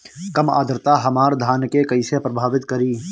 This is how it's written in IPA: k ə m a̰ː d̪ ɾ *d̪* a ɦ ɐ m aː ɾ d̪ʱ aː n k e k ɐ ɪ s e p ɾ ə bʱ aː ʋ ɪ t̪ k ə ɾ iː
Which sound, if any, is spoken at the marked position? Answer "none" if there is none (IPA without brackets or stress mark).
t̪